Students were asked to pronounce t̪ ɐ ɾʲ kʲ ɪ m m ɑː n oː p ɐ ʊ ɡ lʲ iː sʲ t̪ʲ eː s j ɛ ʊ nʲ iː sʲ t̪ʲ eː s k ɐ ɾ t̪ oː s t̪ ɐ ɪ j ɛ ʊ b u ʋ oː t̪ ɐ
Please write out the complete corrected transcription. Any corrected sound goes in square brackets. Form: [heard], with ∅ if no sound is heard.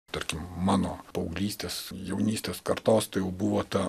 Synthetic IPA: t̪ ɐ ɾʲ kʲ ɪ m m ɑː n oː p ɐ ʊ ɡ lʲ iː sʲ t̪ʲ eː s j ɛ ʊ nʲ iː sʲ t̪ʲ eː s k ɐ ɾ t̪ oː s t̪ ɐ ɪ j ɛ ʊ b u ʋ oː t̪ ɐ